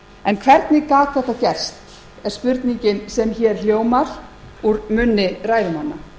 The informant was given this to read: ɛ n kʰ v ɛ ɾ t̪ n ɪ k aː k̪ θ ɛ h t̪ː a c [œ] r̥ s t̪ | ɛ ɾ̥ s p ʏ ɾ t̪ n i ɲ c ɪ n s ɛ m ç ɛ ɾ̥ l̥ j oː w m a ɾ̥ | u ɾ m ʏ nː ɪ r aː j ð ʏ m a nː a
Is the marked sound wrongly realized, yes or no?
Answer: yes